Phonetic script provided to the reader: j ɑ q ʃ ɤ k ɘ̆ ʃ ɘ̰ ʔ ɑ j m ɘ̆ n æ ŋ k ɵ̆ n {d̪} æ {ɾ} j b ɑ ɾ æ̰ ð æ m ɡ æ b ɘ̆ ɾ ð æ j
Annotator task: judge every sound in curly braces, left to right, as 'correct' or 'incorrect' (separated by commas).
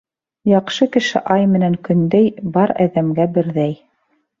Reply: correct, incorrect